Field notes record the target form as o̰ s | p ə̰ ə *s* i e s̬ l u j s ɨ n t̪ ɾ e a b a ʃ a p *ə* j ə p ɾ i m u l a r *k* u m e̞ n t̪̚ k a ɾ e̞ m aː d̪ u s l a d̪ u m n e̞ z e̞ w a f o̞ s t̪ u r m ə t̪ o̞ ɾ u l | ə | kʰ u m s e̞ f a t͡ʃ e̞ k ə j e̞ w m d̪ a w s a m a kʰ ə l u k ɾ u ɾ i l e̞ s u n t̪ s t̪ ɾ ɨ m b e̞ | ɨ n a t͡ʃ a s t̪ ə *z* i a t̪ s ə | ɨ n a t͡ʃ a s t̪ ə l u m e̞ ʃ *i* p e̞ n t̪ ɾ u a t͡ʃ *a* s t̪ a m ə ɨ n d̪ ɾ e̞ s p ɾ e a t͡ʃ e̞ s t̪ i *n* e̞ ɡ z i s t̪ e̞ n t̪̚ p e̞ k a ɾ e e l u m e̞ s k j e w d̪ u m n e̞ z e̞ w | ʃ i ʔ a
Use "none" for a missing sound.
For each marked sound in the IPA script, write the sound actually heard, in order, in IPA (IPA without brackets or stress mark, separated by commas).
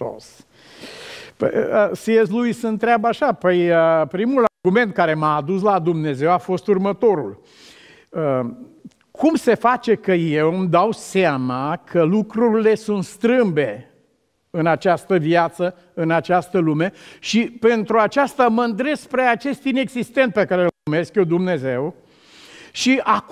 s, ə, ɡ, v, i, a, n